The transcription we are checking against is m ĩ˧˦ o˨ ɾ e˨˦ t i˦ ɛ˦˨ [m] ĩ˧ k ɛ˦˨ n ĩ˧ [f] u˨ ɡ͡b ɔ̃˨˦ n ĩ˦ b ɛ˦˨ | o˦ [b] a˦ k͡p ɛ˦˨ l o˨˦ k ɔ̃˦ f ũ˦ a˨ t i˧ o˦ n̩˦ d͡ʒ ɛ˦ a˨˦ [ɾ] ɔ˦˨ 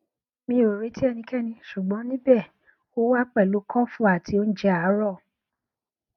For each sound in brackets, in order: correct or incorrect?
incorrect: n, incorrect: ʃ, incorrect: w, correct

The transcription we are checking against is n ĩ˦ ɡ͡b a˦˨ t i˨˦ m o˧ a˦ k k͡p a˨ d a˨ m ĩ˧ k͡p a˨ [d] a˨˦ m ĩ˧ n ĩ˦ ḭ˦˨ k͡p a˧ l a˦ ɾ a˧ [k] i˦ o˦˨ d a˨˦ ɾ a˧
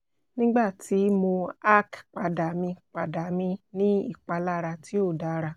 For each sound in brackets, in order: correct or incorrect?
correct, incorrect: t

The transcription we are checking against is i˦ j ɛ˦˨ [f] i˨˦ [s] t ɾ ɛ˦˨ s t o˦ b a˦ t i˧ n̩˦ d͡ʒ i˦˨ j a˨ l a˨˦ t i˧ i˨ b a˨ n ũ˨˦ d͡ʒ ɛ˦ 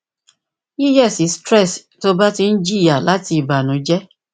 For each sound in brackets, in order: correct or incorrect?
incorrect: s, correct

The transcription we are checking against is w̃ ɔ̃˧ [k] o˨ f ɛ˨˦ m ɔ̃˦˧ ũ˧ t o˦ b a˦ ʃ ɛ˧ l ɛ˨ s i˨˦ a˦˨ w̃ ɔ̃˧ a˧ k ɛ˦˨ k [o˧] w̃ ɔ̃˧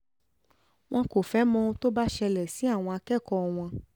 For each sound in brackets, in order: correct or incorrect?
correct, incorrect: ɔ˧

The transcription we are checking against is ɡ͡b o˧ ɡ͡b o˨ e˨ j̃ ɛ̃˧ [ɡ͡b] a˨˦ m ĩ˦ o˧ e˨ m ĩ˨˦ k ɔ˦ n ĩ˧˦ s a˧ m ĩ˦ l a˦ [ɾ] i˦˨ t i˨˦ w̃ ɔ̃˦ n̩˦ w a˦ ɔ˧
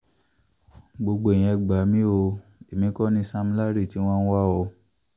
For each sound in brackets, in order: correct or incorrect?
correct, correct

